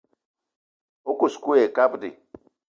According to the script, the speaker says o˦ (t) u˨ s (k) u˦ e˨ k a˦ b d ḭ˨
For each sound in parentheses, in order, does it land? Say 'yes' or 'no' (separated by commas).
no, yes